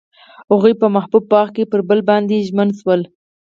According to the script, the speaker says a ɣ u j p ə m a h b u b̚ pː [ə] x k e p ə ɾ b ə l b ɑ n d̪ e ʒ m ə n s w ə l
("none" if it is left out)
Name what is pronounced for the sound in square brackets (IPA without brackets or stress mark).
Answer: ɑ